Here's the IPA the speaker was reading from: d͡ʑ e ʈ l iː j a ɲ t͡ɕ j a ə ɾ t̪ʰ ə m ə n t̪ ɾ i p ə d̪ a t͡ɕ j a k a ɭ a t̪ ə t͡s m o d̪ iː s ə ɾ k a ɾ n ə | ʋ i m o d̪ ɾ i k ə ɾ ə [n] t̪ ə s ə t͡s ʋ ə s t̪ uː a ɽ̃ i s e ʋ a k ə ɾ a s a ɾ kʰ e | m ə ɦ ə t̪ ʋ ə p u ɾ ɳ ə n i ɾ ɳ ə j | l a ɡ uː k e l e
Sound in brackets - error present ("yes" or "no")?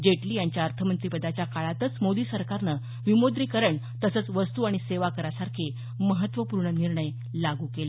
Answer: yes